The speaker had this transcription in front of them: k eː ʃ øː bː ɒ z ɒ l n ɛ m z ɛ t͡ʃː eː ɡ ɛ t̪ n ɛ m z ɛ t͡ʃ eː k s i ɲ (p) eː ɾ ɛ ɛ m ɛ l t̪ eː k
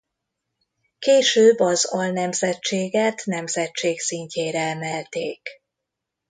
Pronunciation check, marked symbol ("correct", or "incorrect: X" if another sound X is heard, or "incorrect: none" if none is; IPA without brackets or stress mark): incorrect: c